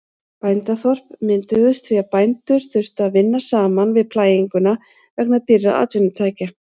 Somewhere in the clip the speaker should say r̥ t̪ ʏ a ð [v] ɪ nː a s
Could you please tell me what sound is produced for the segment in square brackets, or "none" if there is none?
v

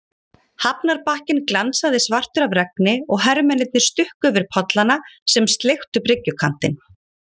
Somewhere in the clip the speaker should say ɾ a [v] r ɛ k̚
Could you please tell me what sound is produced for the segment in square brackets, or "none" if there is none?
v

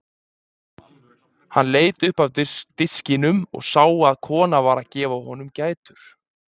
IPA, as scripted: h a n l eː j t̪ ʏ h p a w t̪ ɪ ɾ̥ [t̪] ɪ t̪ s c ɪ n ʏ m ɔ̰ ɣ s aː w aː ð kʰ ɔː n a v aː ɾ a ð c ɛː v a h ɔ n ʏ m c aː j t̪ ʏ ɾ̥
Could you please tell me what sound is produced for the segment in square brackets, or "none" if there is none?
t̪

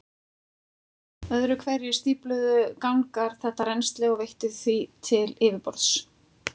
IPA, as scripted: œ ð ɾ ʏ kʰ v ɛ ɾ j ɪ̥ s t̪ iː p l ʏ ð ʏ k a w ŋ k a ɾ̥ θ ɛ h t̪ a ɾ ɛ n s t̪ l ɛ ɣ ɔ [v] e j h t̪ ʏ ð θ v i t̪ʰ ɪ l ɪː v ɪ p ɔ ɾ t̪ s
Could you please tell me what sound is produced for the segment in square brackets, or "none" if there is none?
v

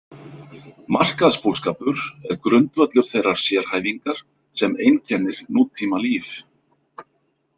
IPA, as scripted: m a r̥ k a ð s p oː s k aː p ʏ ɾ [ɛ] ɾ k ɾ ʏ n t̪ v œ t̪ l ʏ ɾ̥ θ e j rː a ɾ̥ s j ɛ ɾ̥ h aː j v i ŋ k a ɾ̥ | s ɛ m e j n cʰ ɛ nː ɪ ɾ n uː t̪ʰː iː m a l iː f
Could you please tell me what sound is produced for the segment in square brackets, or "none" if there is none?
ɛ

